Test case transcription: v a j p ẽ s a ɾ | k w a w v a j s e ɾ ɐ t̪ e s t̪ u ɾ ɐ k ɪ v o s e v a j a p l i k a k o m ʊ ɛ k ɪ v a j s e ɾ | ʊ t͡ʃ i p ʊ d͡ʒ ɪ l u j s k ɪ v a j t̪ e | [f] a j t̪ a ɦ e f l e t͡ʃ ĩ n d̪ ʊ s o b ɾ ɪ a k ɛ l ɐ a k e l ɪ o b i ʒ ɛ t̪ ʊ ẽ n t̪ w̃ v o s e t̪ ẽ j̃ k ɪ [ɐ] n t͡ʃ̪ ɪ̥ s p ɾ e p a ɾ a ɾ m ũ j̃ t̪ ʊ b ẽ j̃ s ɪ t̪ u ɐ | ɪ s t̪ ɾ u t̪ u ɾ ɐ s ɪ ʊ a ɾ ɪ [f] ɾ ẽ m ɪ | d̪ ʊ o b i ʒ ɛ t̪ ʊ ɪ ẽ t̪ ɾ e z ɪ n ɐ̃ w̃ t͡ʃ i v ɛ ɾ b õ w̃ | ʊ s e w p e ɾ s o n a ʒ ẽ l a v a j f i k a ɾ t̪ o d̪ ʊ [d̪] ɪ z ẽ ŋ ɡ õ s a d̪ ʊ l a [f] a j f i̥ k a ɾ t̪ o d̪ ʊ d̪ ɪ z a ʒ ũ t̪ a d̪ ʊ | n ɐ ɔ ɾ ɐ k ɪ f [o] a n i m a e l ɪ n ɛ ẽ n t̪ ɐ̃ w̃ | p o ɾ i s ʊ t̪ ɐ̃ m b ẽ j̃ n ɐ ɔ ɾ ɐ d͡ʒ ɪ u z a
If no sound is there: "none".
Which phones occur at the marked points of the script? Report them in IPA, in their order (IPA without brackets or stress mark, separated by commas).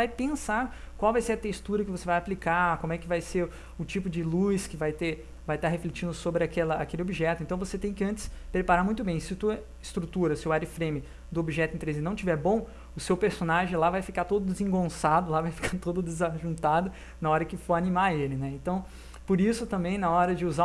v, ɐ̃, f, d̪, v, o